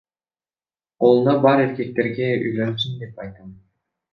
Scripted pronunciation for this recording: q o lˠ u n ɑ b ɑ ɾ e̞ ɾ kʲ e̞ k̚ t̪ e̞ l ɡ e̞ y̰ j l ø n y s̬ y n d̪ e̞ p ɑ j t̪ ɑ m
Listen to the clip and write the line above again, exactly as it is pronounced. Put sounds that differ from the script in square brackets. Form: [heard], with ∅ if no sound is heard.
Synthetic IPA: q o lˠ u n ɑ b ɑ ɾ e̞ ɾ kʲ e̞ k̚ t̪ e̞ [ɾ] ɡ e̞ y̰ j l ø n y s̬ y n d̪ e̞ p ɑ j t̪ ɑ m